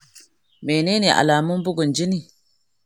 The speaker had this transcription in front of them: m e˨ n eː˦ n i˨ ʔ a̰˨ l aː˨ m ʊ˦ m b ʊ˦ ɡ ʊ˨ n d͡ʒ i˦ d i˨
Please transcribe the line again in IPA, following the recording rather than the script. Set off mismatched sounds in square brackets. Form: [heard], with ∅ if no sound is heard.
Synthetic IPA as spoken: m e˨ n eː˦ n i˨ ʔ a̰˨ l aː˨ m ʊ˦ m b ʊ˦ ɡ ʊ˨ n d͡ʒ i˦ [n] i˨